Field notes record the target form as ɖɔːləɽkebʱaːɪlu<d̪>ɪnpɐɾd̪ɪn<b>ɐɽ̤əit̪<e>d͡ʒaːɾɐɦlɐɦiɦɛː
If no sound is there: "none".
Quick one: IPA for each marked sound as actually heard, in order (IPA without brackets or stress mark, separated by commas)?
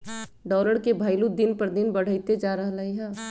d̪, b, e